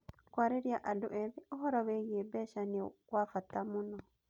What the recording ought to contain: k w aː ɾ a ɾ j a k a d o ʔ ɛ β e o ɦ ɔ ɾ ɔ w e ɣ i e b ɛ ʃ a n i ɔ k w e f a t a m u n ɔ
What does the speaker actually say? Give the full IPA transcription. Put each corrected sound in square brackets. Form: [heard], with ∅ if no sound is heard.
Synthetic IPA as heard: k w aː ɾ [e] ɾ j a [ʔ] a d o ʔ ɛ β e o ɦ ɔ ɾ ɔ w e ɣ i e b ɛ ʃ a n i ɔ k w [a] f a t a m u n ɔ

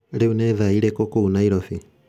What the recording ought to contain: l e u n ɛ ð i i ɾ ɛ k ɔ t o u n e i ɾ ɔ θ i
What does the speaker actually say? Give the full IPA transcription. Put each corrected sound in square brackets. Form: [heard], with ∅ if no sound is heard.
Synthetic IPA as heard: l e u n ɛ ð [a] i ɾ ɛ k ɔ [k] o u n [a] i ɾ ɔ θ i

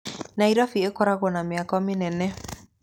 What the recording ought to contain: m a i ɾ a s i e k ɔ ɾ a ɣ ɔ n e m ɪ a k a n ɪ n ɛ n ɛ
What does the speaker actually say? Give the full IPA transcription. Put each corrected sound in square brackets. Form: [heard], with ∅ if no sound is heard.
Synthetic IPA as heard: [n] a i ɾ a [f] i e k ɔ ɾ a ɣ ɔ n [a] m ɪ a k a [m] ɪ n ɛ n ɛ

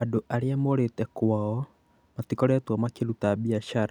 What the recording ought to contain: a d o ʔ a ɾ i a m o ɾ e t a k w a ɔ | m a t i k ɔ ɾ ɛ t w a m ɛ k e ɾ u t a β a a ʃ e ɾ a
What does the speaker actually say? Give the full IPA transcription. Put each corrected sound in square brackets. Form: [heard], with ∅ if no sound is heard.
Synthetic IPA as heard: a d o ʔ a ɾ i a m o ɾ e t [ɛ] k w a ɔ | m a t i k ɔ ɾ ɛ t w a m [a] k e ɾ u t a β [i] a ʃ [a] ɾ a

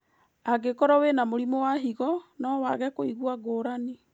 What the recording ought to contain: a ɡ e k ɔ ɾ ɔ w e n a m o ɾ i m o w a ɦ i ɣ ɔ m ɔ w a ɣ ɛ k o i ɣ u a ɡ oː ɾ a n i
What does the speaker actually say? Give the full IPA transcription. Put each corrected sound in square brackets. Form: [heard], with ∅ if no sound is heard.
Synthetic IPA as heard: a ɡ e k ɔ ɾ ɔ w e n a m o ɾ i m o w a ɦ i ɣ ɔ [n] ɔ w a ɣ ɛ k o i ɣ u a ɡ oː ɾ a n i

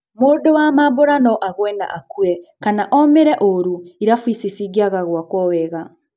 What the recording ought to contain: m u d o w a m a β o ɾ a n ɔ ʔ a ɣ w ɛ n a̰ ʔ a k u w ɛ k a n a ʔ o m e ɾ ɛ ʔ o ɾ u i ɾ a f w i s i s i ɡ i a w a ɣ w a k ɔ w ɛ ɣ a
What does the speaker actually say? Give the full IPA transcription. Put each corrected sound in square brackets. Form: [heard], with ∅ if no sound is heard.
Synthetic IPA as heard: m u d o w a m a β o ɾ a n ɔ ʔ a ɣ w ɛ n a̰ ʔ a k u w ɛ k a n a ʔ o m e ɾ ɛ ʔ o ɾ u i ɾ a f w i s i s i ɡ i a [ɣ] a ɣ w a k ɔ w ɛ ɣ a

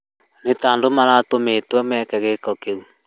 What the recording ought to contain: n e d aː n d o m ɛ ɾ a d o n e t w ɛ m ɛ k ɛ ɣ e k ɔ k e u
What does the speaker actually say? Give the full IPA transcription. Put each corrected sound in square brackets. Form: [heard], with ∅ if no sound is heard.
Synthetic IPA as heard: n e [t] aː n d o m [a] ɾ a [t] o [m] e t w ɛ m ɛ k ɛ ɣ e k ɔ k e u

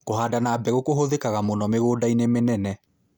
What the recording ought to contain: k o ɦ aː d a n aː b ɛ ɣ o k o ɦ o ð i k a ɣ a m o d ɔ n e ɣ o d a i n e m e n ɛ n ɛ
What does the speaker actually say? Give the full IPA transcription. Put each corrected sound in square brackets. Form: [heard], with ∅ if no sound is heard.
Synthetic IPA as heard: k o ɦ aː d a n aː b ɛ ɣ o k o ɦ o ð [e] k a ɣ a m o [n] ɔ [m] e ɣ o d a i n e m e n ɛ n ɛ

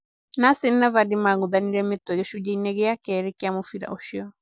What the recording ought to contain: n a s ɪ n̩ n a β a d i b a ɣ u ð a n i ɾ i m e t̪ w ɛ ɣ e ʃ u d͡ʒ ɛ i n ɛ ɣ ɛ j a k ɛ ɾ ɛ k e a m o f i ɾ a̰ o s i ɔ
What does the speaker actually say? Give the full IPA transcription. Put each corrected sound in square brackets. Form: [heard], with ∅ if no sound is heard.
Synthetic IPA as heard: n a s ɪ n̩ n a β a d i [m] a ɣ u ð a n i ɾ [ɛ] m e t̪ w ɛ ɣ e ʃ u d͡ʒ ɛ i n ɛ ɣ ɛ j a k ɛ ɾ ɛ k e a m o f i ɾ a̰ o [ʃ] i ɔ

